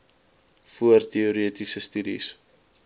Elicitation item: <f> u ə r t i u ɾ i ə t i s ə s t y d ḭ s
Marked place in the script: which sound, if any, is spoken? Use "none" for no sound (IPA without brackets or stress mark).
f